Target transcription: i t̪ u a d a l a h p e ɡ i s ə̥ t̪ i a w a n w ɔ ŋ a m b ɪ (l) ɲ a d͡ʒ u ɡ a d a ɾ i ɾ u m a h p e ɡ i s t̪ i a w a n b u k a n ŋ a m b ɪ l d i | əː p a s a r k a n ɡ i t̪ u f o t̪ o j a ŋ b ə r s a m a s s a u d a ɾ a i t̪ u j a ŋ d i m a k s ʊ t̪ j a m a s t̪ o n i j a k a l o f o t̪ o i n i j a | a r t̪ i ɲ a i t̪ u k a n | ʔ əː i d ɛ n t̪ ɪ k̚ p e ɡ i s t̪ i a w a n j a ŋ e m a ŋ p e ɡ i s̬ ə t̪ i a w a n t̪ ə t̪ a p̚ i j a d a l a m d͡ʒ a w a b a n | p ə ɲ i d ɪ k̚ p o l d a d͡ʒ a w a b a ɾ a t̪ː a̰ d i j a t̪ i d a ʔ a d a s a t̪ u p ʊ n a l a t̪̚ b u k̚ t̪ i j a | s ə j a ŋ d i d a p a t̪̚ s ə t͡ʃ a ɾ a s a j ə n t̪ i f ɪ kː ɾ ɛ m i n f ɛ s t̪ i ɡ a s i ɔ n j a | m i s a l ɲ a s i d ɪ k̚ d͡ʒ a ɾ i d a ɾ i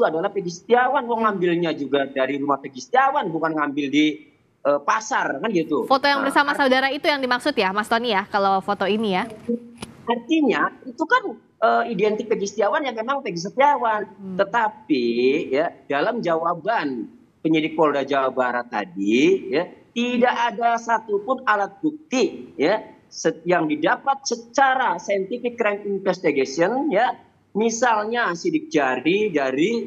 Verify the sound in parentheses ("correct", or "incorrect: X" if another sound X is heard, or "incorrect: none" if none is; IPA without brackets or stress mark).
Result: correct